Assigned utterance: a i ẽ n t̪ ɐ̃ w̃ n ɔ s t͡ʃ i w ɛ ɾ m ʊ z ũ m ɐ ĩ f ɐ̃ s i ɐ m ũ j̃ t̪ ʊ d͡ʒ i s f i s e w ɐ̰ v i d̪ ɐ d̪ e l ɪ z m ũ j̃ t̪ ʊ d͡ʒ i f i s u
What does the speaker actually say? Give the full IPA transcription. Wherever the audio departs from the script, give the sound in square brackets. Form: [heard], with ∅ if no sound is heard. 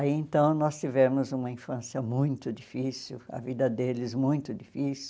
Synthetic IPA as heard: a i ẽ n t̪ ɐ̃ w̃ n ɔ s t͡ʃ i [v] ɛ ɾ m ʊ z ũ m ɐ ĩ f ɐ̃ s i ɐ m ũ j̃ t̪ ʊ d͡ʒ i [∅] f i s [i] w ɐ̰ v i d̪ ɐ d̪ e l ɪ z m ũ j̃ t̪ ʊ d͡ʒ i f i s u